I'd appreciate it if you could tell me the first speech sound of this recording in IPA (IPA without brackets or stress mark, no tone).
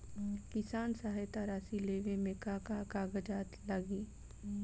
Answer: k